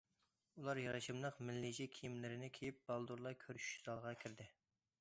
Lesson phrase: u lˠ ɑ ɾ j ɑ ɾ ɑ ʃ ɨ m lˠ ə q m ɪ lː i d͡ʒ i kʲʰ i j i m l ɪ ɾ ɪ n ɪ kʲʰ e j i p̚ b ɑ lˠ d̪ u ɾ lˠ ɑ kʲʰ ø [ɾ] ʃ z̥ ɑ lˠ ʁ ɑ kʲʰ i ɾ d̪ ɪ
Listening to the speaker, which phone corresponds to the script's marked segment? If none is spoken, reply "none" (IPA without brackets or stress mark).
ɾ